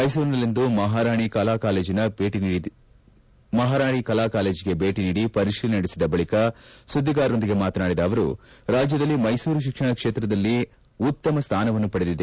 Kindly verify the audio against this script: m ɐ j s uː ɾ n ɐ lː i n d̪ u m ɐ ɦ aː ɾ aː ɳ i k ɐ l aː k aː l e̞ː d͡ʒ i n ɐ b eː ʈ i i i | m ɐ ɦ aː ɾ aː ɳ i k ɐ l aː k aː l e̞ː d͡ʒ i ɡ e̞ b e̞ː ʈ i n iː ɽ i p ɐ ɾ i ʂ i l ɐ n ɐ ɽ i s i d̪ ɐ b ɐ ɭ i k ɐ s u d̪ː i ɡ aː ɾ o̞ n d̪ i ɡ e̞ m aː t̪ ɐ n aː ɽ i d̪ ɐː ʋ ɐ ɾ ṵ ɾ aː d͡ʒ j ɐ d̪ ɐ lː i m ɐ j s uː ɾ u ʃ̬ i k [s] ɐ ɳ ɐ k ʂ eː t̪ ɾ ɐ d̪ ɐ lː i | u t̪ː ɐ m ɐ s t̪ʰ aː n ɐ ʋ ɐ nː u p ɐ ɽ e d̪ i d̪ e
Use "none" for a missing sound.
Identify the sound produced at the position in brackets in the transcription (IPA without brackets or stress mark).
ʂ